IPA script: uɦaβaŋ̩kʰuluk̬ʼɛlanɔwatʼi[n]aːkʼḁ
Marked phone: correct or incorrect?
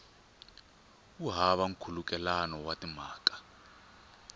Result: incorrect